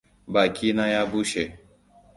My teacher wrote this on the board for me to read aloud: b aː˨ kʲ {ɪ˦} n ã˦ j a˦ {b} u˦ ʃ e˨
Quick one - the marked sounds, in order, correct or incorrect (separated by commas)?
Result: incorrect, correct